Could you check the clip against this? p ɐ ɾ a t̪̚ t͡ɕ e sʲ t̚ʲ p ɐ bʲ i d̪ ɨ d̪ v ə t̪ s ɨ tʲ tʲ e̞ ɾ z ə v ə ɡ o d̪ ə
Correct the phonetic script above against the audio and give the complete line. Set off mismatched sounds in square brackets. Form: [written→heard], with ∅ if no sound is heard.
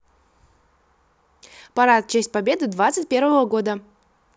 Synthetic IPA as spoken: p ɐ ɾ a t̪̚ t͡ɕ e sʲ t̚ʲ p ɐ bʲ [i→e] d̪ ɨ d̪ v [ə→a] t̪ s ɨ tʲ [tʲ→pʲ] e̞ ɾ [z→v] ə v ə ɡ o d̪ ə